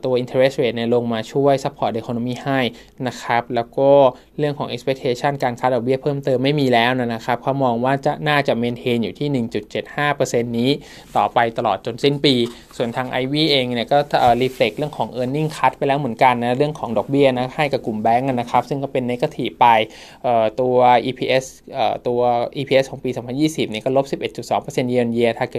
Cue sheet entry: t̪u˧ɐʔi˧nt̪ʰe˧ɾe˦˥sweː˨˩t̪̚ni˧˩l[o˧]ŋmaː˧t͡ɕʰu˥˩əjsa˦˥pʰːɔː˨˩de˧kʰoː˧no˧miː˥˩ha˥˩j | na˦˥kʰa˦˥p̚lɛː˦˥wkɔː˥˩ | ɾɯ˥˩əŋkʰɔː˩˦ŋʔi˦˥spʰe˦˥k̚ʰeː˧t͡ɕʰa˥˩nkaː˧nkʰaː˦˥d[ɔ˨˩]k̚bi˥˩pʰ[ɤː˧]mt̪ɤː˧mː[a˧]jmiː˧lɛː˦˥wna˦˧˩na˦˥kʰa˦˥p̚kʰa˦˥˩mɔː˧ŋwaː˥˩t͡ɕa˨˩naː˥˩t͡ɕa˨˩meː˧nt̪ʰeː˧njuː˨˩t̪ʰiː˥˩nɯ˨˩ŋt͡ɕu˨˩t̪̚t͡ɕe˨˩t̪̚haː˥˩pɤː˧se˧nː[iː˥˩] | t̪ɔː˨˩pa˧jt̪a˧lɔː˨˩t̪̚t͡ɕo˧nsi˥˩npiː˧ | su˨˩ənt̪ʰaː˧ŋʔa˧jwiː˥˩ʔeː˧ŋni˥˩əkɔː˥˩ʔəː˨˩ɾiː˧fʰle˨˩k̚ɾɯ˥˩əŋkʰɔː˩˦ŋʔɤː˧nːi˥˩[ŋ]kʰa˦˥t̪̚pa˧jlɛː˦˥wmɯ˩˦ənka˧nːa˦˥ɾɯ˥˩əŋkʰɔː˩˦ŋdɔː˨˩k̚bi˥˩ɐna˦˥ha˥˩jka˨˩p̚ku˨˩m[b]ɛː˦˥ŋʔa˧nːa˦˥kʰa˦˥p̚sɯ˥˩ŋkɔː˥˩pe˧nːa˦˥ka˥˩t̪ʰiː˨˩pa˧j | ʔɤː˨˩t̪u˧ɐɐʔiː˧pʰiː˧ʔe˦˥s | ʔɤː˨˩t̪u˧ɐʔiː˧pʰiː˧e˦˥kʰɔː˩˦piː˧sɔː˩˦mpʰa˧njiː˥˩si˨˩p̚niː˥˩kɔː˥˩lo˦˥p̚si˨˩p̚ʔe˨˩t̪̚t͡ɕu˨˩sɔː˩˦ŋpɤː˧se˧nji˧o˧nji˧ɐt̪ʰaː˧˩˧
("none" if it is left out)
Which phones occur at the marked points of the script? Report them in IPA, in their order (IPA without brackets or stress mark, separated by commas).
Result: o˧, ɔ˨˩, ɤː˥˩, a˥˩, iː˦˥, ŋ, b